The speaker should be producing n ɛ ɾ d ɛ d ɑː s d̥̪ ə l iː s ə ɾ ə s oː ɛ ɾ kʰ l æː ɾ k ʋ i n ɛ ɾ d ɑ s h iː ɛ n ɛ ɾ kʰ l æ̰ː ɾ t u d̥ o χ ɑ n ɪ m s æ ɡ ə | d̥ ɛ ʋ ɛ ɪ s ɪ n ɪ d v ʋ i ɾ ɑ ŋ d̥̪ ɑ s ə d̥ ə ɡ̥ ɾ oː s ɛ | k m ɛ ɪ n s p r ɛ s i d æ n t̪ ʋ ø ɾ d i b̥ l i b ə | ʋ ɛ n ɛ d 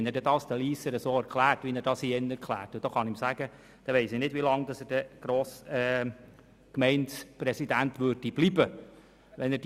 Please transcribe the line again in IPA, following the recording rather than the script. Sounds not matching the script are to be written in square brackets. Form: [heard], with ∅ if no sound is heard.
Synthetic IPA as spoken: n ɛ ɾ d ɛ d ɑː s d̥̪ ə l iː s ə ɾ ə s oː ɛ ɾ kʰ l æː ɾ [t] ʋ i n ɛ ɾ d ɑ s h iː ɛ n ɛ ɾ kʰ l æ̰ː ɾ t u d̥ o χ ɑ n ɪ m s æ ɡ ə | d̥ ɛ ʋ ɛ ɪ s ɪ n ɪ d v ʋ i [l] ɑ ŋ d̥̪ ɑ s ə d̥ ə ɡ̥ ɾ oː s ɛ | k m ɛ ɪ n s p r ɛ s i d æ n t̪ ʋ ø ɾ d i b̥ l i b ə | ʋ ɛ n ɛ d